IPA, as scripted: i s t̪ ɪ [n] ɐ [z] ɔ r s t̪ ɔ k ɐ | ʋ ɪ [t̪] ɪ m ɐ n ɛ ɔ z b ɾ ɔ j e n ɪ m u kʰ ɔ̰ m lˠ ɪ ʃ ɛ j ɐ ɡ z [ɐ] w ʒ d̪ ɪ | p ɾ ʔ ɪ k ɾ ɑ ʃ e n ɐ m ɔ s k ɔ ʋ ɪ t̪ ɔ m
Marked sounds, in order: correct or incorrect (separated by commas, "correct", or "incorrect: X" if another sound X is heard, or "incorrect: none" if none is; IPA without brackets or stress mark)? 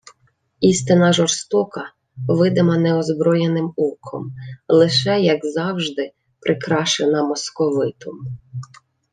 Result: correct, incorrect: ʒ, incorrect: d̪, incorrect: ɑ